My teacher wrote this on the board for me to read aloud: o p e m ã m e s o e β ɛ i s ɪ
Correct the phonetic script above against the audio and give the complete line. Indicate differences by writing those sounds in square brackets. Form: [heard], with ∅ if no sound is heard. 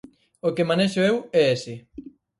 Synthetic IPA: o [k] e m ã [n] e [ʃ] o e [w] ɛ [e] s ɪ

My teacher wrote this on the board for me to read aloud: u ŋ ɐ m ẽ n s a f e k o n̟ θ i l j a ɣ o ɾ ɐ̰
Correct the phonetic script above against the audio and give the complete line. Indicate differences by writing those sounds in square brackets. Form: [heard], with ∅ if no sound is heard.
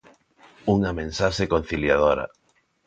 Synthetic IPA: u ŋ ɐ m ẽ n s a [ʃ] e k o n̟ θ i l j a [ð] o ɾ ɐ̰

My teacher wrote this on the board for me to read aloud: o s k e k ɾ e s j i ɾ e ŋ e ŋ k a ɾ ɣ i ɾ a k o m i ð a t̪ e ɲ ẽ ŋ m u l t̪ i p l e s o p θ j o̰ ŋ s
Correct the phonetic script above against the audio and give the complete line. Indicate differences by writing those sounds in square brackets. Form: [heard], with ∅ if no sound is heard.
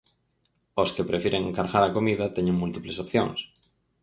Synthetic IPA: o s k e [p] ɾ e [f] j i ɾ e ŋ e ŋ k a ɾ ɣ [a] ɾ a k o m i ð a t̪ e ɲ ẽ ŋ m u l t̪ i p l e s o p θ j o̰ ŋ s

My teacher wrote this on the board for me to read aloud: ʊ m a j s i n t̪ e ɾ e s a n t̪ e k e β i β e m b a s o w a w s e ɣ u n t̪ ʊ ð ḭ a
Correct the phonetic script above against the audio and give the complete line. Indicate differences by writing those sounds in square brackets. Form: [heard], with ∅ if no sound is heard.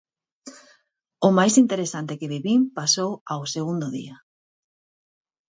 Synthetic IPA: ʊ m a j s i n t̪ e ɾ e s a n t̪ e k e β i β [i] m [p] a s o w a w s e ɣ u n [d̪] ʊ ð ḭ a

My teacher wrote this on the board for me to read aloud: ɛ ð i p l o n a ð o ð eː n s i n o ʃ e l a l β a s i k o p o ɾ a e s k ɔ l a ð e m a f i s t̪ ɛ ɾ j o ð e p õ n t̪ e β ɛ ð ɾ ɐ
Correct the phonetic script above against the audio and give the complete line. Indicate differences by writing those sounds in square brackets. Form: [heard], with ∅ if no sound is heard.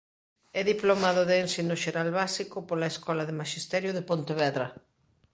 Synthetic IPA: ɛ ð i p l o [m] a ð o ð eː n s i n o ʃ e [ɾ] a l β a s i k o p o [l] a e s k ɔ l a ð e m a [ʃ] i s t̪ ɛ ɾ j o ð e p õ n t̪ e β ɛ ð ɾ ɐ

